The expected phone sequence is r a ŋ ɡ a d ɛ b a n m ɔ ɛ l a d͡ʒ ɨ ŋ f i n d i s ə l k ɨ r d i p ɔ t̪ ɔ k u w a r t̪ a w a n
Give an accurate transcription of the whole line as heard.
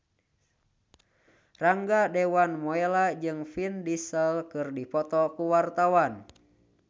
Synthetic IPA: r a ŋ ɡ a d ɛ w a n m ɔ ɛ l a d͡ʒ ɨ ŋ f i n d i s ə l k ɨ r d i p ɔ t̪ ɔ k u w a r t̪ a w a n